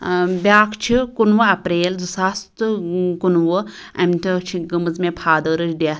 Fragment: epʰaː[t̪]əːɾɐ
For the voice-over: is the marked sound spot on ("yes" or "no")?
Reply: no